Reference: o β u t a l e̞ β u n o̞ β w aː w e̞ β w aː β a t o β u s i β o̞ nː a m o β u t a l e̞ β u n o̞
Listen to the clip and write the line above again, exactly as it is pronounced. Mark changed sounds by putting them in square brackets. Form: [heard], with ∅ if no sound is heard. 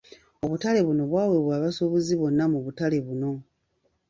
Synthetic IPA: o β u t a l e̞ β u n o̞ β w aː w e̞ β w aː β a [s] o β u [z] i β o̞ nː a m [u] β u t a l e̞ β u n o̞